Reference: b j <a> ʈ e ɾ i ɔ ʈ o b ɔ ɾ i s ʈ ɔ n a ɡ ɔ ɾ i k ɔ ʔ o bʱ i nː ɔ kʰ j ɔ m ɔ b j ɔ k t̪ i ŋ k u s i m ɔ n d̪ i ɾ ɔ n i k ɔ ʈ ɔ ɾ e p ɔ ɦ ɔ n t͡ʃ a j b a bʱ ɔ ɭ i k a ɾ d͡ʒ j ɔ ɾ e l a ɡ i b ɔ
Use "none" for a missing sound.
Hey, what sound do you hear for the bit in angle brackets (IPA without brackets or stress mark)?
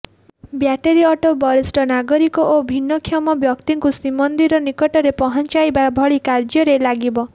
a